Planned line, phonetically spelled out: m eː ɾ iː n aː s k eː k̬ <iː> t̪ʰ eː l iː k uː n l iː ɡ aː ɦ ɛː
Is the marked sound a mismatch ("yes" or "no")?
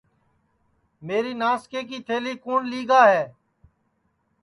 no